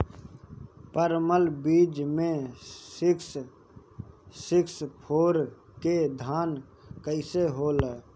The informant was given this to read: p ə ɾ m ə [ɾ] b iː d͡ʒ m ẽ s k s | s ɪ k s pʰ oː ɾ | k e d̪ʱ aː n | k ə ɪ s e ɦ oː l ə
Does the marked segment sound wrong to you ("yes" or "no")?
yes